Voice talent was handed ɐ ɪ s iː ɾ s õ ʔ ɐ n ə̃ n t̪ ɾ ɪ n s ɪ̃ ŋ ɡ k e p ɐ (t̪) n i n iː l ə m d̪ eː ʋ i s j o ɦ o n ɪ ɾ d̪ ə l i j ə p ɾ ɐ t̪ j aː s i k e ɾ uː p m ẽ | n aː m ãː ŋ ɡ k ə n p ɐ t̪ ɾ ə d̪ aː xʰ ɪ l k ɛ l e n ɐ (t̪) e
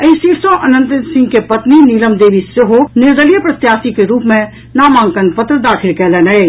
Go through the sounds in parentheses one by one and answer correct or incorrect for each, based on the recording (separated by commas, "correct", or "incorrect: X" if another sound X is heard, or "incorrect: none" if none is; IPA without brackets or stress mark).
correct, incorrect: none